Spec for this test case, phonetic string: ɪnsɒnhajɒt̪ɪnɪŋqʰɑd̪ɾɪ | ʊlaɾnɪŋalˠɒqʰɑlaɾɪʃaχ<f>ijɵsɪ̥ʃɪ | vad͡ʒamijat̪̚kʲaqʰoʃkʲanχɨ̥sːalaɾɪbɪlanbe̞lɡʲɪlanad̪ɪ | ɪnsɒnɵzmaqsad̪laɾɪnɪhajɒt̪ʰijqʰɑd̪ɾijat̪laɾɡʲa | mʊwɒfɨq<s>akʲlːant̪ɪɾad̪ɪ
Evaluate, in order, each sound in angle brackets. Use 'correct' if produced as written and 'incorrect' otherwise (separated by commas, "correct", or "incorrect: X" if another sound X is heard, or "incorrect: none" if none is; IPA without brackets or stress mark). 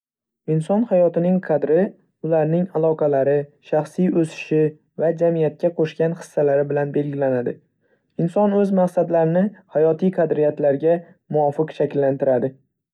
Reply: incorrect: s, incorrect: ʃ